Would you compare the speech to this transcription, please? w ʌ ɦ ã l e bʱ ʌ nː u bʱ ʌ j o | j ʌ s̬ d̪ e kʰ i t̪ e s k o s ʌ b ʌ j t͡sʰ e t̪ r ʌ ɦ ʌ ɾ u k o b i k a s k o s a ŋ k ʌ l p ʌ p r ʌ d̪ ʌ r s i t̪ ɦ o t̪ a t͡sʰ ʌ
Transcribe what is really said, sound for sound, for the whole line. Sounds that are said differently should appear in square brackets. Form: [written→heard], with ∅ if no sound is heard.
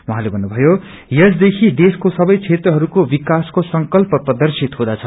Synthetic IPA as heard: w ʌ ɦ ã l e bʱ ʌ nː u bʱ ʌ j o | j ʌ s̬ d̪ e kʰ i [t̪→d̪] e s k o s ʌ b ʌ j t͡sʰ e t̪ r ʌ ɦ ʌ ɾ u k o b i k a s k o s [a→ʌ] ŋ k ʌ l p ʌ p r ʌ d̪ ʌ r s i t̪ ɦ o [t̪→d̪] a t͡sʰ ʌ